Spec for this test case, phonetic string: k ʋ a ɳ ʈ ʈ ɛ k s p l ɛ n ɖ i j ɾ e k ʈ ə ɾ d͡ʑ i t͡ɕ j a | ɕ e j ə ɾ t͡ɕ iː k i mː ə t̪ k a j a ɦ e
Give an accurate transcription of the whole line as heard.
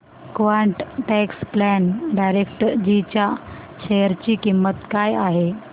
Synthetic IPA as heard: k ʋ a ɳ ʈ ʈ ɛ k s p l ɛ n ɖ a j ɾ e k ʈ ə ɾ d͡ʑ i t͡ɕ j a | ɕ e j ə ɾ t͡ɕ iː k i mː ə t̪ k a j a ɦ e